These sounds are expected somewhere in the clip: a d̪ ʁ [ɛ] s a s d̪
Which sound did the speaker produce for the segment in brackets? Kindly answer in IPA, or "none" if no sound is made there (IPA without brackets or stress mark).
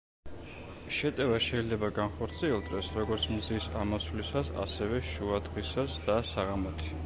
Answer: i